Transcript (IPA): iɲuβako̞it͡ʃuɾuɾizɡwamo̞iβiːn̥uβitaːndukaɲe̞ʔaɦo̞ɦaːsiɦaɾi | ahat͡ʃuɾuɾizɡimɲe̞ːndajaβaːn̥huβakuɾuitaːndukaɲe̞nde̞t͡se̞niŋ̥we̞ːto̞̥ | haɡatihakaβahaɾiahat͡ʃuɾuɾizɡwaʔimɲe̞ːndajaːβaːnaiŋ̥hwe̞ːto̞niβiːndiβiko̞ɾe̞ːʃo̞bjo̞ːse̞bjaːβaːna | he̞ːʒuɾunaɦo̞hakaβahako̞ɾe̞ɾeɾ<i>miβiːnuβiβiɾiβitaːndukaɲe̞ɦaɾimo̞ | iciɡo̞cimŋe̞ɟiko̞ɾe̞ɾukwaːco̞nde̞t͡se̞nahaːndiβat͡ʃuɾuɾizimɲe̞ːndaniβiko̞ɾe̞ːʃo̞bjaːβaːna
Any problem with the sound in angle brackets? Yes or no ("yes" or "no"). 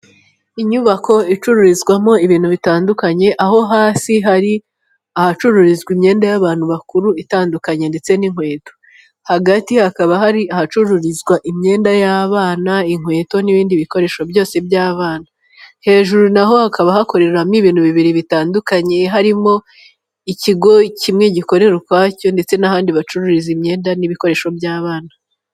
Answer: yes